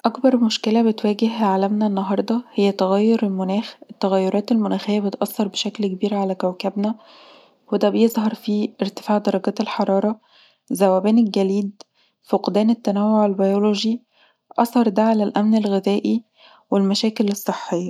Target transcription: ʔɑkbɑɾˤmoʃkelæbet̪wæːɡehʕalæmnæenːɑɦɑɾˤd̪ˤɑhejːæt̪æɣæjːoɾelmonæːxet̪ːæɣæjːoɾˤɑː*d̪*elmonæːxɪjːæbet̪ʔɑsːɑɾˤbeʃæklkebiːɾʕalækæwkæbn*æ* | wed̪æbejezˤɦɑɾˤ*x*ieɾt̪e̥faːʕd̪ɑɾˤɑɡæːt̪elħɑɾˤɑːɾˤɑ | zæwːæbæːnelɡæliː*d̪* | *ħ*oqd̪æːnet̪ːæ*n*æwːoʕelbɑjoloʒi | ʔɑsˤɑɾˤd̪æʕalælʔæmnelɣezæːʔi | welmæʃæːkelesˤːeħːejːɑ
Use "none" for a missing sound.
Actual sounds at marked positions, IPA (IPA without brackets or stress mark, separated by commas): t̪, æ, f, d̪, f, n